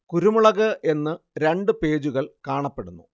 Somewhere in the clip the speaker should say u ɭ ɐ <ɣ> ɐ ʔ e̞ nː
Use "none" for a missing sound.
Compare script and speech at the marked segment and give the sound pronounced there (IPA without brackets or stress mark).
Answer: ɣ